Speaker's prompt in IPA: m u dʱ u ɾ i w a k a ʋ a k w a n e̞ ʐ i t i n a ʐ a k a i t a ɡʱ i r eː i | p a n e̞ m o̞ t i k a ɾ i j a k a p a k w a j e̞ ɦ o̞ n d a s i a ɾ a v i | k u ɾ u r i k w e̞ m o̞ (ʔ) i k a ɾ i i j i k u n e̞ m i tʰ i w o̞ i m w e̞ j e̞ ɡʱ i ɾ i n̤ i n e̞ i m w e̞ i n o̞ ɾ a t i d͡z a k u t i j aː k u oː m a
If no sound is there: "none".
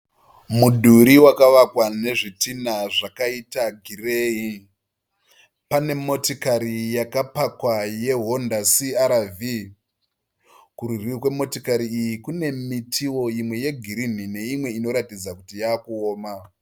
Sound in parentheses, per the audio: t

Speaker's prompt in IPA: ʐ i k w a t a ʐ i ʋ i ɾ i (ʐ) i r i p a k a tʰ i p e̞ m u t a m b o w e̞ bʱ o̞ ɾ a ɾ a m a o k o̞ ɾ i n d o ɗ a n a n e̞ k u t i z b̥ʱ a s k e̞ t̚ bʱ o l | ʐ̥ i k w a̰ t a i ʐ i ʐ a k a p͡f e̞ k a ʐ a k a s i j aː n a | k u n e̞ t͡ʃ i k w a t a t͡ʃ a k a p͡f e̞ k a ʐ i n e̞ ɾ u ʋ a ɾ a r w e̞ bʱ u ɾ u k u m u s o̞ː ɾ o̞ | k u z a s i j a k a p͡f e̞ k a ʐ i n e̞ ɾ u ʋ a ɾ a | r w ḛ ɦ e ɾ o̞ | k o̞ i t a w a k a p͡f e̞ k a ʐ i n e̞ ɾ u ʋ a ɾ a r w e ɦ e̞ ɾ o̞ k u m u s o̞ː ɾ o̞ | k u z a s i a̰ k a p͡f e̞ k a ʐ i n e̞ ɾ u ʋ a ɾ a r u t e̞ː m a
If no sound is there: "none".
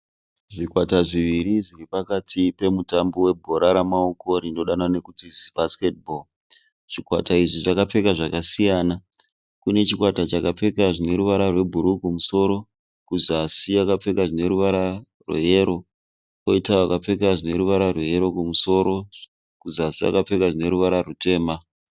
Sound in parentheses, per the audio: ʐ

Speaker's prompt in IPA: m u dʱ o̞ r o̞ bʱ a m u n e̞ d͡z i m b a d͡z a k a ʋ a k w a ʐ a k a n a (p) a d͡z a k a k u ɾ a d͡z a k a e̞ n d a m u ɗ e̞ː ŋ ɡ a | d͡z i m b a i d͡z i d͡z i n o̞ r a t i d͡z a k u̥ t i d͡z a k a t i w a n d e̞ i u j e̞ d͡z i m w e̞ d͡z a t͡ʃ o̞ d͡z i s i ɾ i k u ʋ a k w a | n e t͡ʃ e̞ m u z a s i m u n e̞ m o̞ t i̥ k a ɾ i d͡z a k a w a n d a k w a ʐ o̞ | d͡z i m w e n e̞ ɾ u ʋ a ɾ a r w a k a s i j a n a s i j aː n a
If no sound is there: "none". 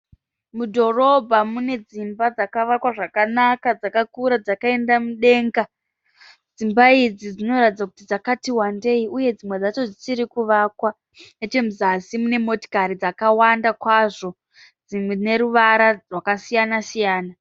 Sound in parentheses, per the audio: k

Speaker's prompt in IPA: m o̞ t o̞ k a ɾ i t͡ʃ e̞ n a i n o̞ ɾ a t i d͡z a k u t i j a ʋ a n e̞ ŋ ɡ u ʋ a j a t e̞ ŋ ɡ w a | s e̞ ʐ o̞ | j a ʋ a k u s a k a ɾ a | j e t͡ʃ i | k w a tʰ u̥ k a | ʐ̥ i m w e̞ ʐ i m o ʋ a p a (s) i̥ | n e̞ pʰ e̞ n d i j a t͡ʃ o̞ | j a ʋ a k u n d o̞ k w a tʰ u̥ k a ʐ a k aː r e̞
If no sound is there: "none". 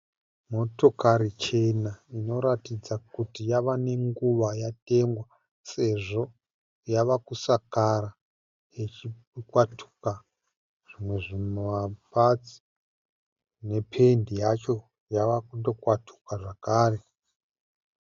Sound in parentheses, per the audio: t͡s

